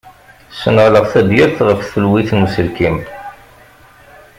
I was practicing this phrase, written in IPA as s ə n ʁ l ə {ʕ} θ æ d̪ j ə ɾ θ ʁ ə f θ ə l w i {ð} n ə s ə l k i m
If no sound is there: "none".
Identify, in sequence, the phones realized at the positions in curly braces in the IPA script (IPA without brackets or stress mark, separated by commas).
ʁ, θ